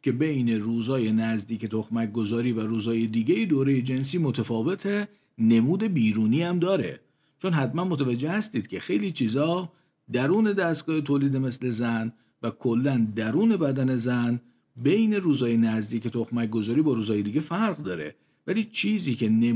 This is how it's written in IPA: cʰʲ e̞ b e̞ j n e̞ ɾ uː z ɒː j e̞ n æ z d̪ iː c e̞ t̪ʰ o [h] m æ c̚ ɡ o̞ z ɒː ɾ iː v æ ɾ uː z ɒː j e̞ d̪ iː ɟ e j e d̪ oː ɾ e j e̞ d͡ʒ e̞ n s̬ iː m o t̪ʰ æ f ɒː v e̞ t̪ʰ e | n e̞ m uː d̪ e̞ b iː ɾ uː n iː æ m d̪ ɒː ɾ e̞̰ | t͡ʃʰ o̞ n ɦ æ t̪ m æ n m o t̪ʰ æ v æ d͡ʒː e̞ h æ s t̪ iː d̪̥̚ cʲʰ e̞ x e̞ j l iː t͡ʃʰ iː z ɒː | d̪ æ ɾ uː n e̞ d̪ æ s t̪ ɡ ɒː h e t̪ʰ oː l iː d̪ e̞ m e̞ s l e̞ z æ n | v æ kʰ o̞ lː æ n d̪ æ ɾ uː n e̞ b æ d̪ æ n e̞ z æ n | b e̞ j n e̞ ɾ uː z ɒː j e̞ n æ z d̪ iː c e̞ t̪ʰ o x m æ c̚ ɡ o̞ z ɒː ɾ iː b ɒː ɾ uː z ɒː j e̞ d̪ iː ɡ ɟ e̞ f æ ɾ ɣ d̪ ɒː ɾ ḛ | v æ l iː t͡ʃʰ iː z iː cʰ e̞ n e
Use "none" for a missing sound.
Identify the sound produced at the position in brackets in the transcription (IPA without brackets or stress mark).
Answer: x